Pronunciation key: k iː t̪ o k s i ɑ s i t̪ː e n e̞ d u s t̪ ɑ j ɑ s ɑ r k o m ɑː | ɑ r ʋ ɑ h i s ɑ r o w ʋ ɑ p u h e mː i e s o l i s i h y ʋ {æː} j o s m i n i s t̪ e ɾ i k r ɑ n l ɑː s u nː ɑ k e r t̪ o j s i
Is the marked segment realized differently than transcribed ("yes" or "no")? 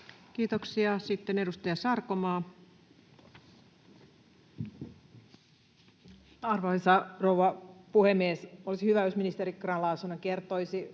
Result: yes